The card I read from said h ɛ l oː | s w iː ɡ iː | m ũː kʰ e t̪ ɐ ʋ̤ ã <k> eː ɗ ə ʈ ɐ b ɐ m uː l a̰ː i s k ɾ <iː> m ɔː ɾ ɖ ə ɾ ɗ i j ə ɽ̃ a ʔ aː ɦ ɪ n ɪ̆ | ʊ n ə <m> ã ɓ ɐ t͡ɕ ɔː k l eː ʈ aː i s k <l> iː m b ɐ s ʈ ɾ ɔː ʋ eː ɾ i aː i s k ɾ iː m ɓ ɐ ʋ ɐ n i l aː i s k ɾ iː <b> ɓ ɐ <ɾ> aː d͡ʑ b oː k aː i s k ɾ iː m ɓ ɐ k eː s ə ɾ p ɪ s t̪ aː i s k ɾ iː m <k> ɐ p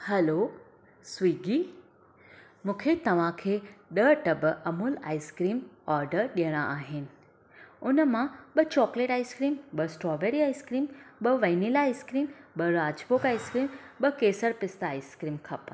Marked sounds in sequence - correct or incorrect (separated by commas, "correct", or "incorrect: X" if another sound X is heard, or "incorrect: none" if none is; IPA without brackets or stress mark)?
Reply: incorrect: kʰ, correct, correct, incorrect: ɾ, incorrect: m, correct, incorrect: kʰ